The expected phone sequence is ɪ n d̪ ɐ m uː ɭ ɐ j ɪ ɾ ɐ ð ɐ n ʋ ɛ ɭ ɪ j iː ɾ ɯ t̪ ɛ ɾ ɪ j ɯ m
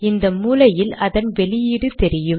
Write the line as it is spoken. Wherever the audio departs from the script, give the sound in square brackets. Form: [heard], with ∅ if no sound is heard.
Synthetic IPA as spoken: ɪ n d̪ ɐ m uː [l] ɐ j ɪ [l] ɐ ð ɐ n ʋ ɛ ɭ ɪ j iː [ɽ] ɯ t̪ ɛ ɾ ɪ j ɯ m

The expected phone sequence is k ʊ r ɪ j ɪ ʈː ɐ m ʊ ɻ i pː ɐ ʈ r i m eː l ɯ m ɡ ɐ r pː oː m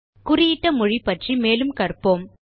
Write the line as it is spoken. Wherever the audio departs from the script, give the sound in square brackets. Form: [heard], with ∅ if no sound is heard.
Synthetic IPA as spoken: k ʊ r ɪ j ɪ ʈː ɐ m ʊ ɻ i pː ɐ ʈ r i m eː l ɯ m [k] ɐ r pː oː m

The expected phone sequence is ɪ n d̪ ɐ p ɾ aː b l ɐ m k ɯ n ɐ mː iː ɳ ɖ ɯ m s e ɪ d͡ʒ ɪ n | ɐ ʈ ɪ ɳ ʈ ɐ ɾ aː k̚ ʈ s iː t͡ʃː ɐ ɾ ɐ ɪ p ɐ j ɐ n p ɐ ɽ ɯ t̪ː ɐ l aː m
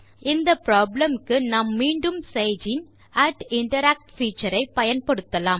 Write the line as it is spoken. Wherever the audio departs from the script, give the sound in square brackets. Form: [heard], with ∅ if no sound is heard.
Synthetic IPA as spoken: ɪ n d̪ ɐ p ɾ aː b l ɐ m k ɯ n ɐ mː iː ɳ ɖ ɯ m s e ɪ d͡ʒ ɪ n | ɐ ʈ ɪ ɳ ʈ ɐ ɾ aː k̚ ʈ [f] iː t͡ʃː ɐ ɾ ɐ ɪ p ɐ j ɐ n p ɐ ɽ ɯ t̪ː ɐ l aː m

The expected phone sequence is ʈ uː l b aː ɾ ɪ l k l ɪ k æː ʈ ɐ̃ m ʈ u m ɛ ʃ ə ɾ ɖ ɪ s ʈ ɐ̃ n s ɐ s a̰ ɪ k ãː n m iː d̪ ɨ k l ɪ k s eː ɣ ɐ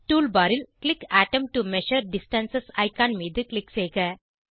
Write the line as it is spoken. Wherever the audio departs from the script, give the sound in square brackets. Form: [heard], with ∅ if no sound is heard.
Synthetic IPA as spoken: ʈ uː l b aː ɾ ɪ l k l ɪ k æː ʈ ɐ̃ m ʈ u m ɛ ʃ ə ɾ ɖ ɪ s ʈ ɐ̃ n s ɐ s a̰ ɪ k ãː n m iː d̪ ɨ k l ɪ k s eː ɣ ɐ

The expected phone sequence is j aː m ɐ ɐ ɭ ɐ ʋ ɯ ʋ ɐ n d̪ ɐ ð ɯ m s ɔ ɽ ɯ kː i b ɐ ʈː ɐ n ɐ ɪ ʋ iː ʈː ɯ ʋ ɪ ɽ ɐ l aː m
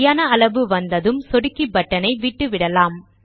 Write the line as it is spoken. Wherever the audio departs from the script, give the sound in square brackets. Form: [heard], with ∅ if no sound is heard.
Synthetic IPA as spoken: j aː [n] ɐ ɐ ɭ ɐ ʋ ɯ ʋ ɐ n d̪ ɐ ð ɯ m s ɔ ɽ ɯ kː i b ɐ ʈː ɐ n ɐ ɪ ʋ iː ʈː ɯ ʋ ɪ ɽ ɐ l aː m

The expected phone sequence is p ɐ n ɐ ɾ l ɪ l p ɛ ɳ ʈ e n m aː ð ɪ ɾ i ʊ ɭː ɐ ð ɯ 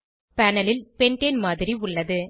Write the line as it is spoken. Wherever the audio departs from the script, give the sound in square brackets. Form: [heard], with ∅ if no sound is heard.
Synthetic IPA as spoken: p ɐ n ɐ [∅] l ɪ l p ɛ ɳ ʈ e n m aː ð ɪ ɾ i ʊ ɭː ɐ ð ɯ

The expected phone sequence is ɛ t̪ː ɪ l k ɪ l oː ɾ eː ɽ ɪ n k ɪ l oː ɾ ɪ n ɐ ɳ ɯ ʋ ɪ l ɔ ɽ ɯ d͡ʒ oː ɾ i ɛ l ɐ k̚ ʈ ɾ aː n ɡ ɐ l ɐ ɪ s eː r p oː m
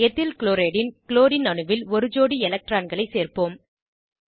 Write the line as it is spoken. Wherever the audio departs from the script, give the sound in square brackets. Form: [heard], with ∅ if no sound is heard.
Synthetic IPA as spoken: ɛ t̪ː ɪ l k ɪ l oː ɾ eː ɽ ɪ n k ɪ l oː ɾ ɪ n ɐ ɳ ɯ ʋ ɪ l ɔ [ɾ] ɯ d͡ʒ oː [ɽ] i ɛ l ɐ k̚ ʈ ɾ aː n ɡ ɐ [ɭ] ɐ ɪ s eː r p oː m

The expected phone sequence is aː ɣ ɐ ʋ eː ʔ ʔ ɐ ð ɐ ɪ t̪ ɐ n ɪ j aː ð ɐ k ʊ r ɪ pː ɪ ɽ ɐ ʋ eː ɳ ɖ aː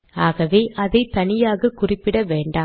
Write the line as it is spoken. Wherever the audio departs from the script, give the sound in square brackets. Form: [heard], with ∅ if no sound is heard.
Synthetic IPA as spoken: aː ɣ ɐ ʋ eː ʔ ʔ ɐ ð ɐ ɪ t̪ ɐ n ɪ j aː [ɣ] ɐ k ʊ r ɪ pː ɪ ɽ ɐ ʋ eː ɳ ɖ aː

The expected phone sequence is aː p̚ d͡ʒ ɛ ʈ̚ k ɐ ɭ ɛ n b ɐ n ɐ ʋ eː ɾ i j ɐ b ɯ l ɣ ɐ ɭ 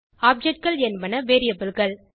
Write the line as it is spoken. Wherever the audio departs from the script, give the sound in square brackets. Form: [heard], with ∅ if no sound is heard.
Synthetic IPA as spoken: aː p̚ d͡ʒ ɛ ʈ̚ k ɐ ɭ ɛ n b ɐ n ɐ ʋ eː ɾ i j ɐ b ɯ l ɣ ɐ ɭ

